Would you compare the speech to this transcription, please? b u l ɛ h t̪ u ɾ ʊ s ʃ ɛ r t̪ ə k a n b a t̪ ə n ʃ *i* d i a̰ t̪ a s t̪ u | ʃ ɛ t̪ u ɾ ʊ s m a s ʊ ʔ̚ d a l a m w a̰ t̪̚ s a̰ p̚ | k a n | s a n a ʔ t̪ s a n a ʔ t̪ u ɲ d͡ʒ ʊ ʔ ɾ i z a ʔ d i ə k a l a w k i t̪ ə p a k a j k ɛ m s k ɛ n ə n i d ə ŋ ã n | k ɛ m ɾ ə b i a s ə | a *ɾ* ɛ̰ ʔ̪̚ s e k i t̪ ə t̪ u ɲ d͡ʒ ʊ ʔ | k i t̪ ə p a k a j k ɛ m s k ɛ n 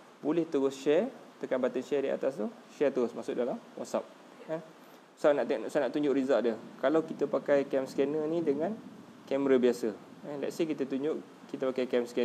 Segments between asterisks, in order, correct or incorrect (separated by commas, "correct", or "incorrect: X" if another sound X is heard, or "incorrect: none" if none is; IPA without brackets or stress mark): incorrect: ɛ, incorrect: l